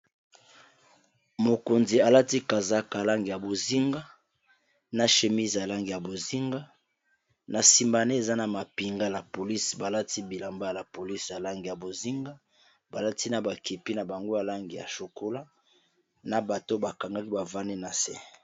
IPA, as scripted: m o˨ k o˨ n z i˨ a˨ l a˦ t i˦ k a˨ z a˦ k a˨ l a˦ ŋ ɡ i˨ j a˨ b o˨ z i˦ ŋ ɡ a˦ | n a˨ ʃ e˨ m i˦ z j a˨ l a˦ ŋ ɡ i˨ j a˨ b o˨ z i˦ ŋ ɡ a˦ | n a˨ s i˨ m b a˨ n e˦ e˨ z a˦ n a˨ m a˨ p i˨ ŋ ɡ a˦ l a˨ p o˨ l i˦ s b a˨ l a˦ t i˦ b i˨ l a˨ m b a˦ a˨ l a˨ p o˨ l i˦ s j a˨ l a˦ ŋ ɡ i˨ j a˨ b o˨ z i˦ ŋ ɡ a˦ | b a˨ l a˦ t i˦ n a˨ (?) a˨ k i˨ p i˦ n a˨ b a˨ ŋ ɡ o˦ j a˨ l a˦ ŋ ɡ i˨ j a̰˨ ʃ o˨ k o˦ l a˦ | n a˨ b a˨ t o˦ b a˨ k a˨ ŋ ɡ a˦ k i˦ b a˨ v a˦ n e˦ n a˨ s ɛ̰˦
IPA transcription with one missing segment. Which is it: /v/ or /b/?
b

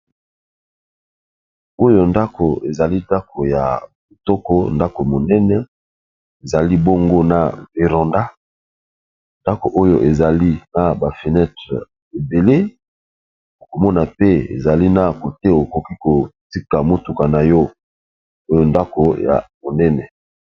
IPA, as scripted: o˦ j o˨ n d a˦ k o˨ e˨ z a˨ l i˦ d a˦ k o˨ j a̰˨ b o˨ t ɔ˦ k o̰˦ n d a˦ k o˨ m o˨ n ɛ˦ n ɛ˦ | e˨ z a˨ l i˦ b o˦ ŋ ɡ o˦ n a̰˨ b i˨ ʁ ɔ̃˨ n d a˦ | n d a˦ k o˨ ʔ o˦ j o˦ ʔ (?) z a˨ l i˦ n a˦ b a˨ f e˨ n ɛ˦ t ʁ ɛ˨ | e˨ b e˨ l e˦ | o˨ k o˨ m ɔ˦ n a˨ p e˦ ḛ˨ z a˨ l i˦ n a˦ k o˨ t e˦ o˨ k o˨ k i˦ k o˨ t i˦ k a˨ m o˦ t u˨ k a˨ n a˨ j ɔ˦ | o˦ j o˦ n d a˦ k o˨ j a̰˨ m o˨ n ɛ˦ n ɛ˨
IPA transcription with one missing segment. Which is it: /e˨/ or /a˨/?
e˨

